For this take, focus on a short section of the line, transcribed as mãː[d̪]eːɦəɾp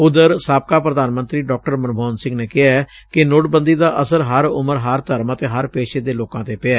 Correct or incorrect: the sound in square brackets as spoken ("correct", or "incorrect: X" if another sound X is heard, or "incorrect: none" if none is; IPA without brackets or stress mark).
incorrect: t̪